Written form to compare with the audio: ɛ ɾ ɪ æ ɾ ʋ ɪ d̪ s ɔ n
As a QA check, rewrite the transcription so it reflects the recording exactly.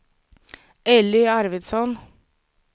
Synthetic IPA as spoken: ɛ l ɪ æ ɾ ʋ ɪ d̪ s ɔ n

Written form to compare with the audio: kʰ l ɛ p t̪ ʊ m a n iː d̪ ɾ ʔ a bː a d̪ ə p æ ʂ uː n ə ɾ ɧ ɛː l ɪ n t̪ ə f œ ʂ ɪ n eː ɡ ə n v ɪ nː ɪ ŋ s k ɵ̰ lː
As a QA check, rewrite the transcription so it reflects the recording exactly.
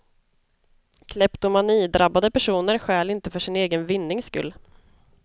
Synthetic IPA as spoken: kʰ l ɛ p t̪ ʊ m a n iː d̪ ɾ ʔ a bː a d̪ ə p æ ʂ uː n ə ɾ ɧ ɛː l ɪ n t̪ ə f œ ʂ ɪ n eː ɡ ə n v ɪ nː ɪ ŋ s k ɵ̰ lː

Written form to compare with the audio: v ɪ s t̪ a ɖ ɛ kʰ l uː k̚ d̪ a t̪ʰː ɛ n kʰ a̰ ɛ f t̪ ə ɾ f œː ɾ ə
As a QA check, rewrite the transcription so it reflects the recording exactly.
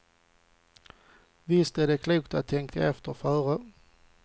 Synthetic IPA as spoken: v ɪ s t̪ æ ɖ ɛ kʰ l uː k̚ t̪ a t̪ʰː ɛ ŋ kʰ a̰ ɛ f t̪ ə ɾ f œː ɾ ə

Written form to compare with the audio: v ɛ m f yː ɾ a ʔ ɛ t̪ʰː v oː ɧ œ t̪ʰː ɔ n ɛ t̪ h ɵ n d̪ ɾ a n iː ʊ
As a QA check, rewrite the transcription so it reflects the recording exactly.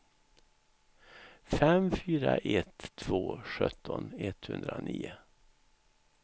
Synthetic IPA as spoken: f ɛ m f yː ɾ a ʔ ɛ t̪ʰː v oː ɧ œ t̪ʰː ɔ n ɛ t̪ h ɵ n d̪ ɾ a n iː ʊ

